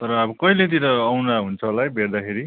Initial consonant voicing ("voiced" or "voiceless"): voiceless